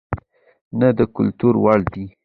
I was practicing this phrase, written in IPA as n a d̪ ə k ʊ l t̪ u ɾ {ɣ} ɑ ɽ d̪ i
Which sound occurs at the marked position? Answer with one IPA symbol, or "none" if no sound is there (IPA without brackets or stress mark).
w